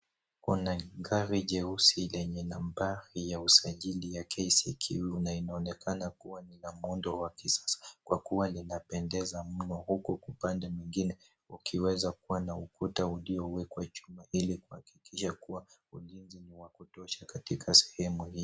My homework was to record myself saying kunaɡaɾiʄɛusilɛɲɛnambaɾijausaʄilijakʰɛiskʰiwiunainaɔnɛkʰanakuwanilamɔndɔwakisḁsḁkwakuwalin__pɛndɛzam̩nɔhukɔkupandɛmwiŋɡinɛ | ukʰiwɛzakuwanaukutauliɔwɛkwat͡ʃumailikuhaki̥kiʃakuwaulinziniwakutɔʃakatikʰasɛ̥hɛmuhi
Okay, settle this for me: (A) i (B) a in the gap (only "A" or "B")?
B